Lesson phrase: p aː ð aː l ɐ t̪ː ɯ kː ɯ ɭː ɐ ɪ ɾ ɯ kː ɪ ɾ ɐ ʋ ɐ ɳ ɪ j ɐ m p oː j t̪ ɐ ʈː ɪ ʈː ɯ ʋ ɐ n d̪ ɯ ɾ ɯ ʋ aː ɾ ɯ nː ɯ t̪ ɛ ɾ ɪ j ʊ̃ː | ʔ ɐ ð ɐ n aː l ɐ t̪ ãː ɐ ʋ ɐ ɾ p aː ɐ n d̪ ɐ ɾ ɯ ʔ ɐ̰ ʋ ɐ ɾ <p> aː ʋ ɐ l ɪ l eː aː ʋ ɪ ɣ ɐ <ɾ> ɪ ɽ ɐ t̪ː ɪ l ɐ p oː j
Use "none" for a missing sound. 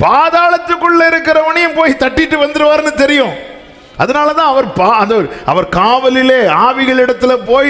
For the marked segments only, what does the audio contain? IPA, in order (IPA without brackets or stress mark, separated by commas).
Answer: k, ɭ